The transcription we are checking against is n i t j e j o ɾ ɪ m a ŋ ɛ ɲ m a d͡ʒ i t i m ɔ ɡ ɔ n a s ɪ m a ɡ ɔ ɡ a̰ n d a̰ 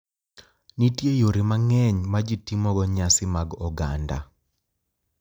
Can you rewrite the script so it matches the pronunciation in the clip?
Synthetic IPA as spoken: n i t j e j o ɾ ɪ m a ŋ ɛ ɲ m a d͡ʒ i t i m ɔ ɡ ɔ ɲ a s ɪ m a ɡ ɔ ɡ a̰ n d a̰